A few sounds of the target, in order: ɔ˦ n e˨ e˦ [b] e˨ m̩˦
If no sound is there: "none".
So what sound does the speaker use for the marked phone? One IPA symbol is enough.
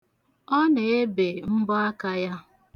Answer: b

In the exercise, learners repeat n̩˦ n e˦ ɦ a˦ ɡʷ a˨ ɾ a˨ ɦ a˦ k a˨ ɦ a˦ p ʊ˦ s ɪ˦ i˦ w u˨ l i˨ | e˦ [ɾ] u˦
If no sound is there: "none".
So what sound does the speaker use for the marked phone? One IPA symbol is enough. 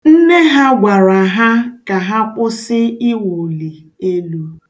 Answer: l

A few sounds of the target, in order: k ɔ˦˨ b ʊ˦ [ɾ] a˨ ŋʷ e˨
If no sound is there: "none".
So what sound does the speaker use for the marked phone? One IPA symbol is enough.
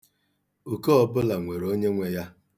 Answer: l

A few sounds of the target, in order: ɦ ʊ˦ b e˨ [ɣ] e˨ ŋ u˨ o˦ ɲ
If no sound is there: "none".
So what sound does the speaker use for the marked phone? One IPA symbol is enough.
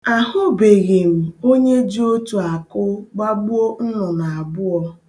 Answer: ɣ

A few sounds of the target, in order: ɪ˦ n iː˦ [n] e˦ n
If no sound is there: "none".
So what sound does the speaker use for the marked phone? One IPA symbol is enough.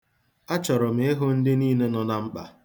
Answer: n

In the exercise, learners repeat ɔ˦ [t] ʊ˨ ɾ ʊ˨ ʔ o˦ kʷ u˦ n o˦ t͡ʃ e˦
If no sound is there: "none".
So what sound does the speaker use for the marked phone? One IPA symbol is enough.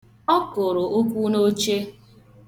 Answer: k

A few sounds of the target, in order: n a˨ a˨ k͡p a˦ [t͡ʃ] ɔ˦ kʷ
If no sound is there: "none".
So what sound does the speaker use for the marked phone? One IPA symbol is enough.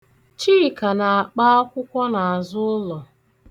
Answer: none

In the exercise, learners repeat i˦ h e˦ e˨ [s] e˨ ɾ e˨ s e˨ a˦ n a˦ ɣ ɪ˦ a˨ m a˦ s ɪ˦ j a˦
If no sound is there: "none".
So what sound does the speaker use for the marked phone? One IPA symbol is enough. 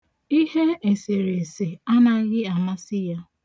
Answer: s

